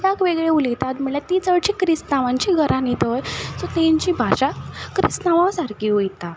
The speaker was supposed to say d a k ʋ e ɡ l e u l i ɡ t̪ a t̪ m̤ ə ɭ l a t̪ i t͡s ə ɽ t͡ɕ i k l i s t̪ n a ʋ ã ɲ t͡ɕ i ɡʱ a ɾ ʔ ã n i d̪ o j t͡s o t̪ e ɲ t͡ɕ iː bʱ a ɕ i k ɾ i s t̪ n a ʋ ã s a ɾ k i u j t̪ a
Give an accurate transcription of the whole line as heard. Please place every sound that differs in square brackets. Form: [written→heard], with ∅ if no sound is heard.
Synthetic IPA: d a k ʋ e ɡ [l→ɭ] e u l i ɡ t̪ a t̪ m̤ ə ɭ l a t̪ i t͡s ə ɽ t͡ɕ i k [l→ɾ] i s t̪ n a ʋ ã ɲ t͡ɕ i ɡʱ [a→ə] ɾ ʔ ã n i [d̪→t̪] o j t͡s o t̪ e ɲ t͡ɕ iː bʱ a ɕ [i→a] k ɾ i s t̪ n a ʋ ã s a ɾ k i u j t̪ a